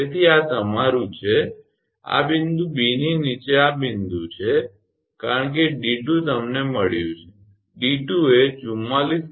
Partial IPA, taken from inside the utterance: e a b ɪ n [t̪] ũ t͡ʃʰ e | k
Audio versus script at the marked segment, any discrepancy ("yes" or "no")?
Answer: yes